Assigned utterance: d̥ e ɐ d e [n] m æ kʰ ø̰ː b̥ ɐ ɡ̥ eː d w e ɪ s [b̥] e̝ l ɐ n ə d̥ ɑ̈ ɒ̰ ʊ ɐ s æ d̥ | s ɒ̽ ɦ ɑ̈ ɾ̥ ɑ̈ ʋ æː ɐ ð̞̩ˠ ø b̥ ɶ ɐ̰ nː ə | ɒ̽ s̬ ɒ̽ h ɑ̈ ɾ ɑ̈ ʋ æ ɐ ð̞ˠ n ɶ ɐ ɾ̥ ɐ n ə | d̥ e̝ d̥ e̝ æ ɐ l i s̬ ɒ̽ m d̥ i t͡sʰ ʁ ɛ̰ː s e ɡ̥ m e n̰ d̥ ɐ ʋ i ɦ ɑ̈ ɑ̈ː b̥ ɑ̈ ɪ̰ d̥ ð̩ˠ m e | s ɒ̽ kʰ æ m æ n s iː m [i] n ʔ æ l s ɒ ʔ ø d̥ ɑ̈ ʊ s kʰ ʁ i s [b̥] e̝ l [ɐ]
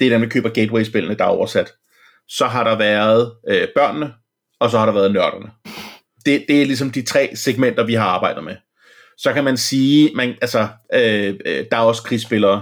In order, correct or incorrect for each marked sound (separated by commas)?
correct, correct, incorrect, correct, incorrect